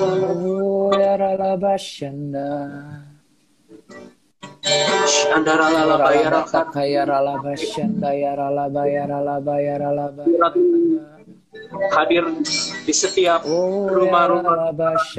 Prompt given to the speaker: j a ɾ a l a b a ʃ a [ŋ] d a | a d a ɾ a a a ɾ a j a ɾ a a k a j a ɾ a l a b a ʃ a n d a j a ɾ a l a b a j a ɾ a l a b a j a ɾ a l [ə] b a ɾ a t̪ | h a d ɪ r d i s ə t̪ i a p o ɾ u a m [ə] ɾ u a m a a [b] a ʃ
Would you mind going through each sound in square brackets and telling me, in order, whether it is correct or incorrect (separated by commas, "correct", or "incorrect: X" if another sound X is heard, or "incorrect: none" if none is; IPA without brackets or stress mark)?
incorrect: n, incorrect: a, incorrect: a, correct